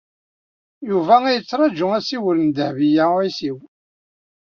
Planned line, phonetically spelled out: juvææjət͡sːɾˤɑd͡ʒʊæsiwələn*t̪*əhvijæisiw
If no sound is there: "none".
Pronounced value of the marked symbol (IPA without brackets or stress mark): d̪